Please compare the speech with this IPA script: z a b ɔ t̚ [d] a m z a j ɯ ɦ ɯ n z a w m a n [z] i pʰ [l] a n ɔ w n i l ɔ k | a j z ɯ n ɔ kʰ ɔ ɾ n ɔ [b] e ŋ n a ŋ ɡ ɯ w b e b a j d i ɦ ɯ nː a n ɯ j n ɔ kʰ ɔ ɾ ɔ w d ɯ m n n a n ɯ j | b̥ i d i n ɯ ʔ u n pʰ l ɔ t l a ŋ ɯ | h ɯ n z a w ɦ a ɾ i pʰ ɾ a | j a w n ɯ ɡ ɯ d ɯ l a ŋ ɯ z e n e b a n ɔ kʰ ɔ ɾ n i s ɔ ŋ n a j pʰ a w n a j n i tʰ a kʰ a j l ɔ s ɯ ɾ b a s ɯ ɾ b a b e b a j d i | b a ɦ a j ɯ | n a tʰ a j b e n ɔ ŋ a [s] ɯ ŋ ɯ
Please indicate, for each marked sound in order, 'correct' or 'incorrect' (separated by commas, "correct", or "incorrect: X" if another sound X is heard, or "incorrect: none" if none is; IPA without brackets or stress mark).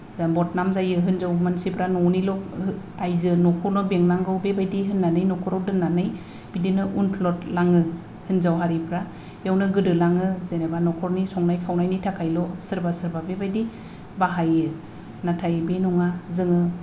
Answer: incorrect: n, incorrect: s, incorrect: ɾ, correct, incorrect: z